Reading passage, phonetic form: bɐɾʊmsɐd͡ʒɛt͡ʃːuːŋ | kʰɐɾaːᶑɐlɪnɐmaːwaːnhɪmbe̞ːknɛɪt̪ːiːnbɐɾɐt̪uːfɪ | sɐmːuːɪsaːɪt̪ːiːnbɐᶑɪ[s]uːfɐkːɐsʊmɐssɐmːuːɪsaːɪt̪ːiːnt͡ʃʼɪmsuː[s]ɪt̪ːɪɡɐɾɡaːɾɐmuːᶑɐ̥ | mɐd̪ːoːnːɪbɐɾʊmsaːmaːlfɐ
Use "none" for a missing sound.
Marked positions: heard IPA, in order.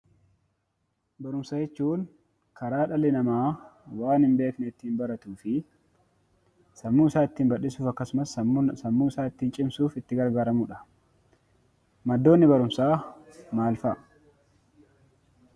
s, f

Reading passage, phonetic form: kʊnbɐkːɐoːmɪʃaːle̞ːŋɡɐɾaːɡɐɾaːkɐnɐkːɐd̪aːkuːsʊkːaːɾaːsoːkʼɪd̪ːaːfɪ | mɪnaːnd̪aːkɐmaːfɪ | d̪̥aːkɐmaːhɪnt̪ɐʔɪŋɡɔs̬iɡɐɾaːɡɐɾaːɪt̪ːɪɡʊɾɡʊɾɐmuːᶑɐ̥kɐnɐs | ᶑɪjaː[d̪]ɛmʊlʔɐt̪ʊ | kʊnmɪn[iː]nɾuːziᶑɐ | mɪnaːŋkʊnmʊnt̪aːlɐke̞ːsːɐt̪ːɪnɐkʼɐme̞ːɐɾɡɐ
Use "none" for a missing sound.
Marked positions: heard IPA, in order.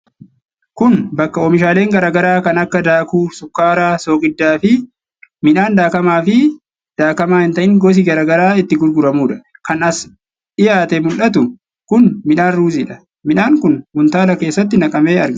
t̪, aː

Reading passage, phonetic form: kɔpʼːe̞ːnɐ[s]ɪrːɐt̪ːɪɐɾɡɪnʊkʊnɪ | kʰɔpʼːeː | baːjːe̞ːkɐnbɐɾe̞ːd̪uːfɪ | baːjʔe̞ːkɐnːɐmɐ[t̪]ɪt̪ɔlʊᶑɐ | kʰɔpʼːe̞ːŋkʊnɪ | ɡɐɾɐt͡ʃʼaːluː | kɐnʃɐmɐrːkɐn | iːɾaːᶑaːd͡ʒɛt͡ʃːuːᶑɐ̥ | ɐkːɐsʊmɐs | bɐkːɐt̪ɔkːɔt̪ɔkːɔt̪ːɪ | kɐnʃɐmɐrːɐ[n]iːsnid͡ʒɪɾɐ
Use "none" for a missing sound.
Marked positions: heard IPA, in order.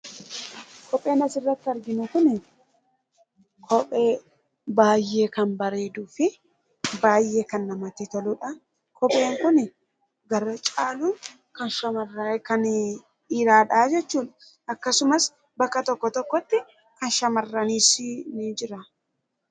s, t̪, n

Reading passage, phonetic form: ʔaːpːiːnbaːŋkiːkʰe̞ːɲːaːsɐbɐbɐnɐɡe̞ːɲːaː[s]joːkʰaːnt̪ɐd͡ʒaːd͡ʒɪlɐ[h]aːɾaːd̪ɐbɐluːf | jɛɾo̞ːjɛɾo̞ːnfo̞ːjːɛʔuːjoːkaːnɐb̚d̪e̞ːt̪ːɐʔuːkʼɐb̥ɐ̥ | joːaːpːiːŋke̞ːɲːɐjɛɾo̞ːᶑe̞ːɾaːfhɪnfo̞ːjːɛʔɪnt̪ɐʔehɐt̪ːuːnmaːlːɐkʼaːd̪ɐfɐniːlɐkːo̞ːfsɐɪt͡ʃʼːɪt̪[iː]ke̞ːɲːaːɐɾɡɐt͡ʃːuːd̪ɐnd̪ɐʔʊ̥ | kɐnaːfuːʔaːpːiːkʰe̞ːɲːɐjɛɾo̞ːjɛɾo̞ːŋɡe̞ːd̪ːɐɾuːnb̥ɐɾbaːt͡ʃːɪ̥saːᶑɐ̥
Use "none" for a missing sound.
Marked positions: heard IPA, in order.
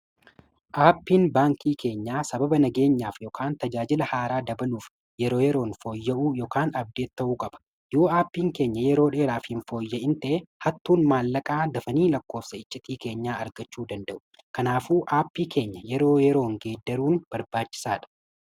f, h, iː

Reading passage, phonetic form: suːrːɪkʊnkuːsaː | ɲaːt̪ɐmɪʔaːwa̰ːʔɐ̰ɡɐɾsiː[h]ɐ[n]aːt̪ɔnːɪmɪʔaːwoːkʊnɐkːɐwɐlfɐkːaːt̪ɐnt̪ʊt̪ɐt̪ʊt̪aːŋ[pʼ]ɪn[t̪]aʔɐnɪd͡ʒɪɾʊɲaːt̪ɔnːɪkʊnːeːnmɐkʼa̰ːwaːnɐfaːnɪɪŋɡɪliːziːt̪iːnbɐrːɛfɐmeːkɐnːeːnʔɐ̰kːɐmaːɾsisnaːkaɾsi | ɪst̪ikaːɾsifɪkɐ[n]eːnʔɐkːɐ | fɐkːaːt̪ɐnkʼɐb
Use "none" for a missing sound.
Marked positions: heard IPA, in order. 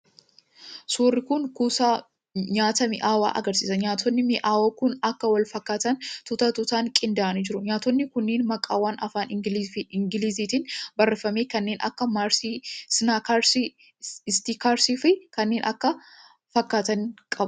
s, ɲ, kʼ, d̪, nː

